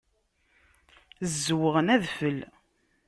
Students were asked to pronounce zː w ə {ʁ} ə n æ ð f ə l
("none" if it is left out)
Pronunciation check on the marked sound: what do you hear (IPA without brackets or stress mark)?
ʁ